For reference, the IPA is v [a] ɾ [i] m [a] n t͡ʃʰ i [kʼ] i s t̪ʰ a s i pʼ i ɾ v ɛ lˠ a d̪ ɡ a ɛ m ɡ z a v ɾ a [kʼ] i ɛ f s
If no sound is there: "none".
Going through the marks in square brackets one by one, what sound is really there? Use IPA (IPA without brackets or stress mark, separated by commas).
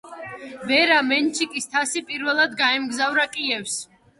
ɛ, a, ɛ, kʼ, kʼ